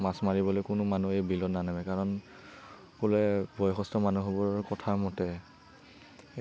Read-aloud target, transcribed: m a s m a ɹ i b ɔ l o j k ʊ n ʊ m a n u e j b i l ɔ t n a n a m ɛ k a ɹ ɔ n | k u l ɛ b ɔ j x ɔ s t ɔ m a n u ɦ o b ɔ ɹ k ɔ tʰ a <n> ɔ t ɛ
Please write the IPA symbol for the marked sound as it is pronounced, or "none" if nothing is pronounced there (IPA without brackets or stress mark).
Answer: m